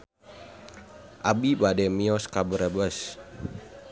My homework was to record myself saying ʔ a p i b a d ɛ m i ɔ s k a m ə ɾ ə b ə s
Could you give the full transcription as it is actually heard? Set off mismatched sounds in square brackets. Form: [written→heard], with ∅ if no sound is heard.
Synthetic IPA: ʔ a [p→b] i b a d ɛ m i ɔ s k a [m→b] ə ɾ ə b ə s